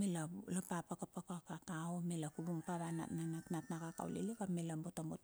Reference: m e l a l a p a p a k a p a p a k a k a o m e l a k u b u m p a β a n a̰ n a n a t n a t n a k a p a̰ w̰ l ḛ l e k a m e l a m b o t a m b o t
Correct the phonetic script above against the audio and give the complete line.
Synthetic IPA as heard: m e l a l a p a p a k a p a k a k a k a o m e l a k u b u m p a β a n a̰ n a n a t n a t n a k a k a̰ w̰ l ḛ l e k a m e l a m b o t a m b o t